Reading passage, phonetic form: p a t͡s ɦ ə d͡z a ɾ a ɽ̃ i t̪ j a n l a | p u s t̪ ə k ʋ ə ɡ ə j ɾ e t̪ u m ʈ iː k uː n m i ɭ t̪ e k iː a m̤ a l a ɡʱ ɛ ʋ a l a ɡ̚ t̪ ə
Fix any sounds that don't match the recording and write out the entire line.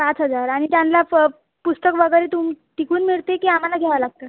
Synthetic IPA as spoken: p a t͡s ɦ ə d͡z a ɾ a ɽ̃ i t̪ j a n l a | p u s t̪ ə k ʋ ə ɡ ə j ɾ e t̪ u m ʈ i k uː n m i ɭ t̪ e k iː a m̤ a l a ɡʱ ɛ ʋ a l a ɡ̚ t̪ ə

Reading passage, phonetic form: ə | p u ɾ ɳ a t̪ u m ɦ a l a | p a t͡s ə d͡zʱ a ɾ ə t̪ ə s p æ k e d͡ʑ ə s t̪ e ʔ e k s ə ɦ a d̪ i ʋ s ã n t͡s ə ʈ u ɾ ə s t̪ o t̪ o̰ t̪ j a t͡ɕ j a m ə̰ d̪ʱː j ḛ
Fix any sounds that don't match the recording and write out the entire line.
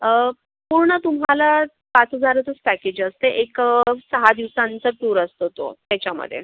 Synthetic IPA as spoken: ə | p u ɾ ɳ ə t̪ u m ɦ a l a | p a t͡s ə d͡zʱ a ɾ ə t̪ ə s p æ k e d͡ʑ ə s t̪ e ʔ e k s ə ɦ a d̪ i ʋ s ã n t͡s ə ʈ u ɾ ə s t̪ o t̪ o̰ t̪ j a t͡ɕ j a m ə̰ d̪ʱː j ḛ

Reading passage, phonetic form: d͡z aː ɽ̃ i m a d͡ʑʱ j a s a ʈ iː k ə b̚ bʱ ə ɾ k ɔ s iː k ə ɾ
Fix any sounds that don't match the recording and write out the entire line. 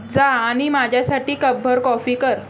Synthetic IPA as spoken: d͡z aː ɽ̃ i m a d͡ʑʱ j a s a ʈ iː k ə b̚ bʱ ə ɾ k ɔ f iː k ə ɾ

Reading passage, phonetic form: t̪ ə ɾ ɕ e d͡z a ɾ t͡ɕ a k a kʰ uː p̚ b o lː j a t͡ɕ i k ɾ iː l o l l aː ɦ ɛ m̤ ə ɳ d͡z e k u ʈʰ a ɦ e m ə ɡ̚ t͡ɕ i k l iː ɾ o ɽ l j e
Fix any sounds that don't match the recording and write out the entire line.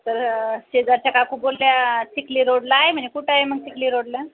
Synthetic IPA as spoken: t̪ ə ɾ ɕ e d͡z a ɾ t͡ɕ a k a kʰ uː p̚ b o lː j a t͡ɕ i k l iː ɾ o ɽ l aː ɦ e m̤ ə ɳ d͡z e k u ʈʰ a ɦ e m ə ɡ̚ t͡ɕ i k l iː ɾ o ɽ l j a

